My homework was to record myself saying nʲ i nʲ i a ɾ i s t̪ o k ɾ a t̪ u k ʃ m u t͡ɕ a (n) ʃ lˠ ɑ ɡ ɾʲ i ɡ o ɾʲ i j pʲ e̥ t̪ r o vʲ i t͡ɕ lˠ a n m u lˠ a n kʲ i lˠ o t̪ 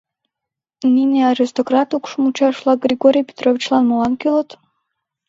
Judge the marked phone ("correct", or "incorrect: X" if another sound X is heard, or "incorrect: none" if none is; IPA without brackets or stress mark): incorrect: none